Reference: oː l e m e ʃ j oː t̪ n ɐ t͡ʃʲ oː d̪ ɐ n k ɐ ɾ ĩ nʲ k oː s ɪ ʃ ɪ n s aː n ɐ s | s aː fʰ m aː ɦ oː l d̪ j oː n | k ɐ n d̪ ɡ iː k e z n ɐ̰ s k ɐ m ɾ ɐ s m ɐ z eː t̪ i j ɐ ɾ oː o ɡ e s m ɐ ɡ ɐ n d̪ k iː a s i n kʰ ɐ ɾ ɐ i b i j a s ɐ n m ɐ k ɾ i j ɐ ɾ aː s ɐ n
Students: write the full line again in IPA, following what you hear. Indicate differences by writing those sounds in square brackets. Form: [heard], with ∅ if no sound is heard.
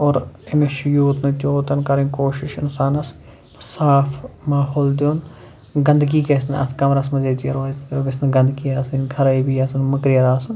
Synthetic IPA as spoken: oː [ɾ] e m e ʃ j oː t̪ n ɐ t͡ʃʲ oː [t̪] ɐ n k ɐ ɾ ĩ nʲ k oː [ʃ] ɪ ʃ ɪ n s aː n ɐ s | s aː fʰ m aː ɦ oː l d̪ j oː n | [ɡ] ɐ n d̪ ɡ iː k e [s] n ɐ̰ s k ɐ m ɾ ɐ s m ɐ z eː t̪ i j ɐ ɾ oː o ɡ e s [n] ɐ ɡ ɐ n d̪ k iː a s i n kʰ ɐ ɾ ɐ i b i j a s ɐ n m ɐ k ɾ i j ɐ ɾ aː s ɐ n